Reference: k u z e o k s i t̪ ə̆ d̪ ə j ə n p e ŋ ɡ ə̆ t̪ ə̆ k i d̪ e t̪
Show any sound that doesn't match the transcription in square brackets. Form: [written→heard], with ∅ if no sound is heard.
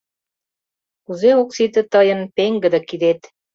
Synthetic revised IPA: k u z e o k s i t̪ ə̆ [d̪→t̪] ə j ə n p e ŋ ɡ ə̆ [t̪→d̪] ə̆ k i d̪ e t̪